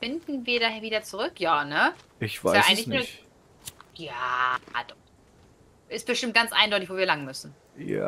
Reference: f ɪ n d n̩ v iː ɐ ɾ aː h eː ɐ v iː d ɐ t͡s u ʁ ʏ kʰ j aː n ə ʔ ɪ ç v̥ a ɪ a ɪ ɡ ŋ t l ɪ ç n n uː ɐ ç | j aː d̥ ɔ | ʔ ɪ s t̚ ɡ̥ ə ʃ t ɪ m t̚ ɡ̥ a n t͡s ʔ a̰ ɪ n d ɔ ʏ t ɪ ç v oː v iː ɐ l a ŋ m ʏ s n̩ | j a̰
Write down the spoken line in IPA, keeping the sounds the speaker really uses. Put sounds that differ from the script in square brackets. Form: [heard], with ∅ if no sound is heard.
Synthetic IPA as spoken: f ɪ n d n̩ v iː ɐ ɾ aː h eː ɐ v iː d ɐ t͡s u ʁ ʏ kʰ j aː n ə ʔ ɪ ç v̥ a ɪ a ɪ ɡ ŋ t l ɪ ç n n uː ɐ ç | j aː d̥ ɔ | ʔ ɪ s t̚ [b̥] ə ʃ t ɪ m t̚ ɡ̥ a n t͡s ʔ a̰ ɪ n d ɔ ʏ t ɪ ç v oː v iː ɐ l a ŋ m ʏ s n̩ | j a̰